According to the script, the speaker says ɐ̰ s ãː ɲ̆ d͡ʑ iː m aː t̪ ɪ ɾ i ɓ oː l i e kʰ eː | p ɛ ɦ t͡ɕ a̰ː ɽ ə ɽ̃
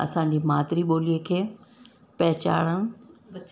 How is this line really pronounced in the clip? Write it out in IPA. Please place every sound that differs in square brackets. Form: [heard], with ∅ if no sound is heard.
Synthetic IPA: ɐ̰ s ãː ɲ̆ d͡ʑ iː m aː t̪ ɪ ɾ i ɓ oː l i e kʰ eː | p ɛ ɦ t͡ɕ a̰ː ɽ ə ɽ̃